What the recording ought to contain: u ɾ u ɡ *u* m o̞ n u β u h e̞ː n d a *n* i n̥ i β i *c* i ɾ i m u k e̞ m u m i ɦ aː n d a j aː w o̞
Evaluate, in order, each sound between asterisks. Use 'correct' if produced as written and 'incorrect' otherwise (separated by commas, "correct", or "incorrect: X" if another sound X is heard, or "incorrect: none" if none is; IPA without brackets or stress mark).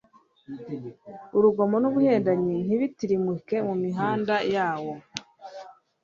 incorrect: o, incorrect: ɲ, incorrect: t